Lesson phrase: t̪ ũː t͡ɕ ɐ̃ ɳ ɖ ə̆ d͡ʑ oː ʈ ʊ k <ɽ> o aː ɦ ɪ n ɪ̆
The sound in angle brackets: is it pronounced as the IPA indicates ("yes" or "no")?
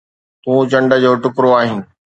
no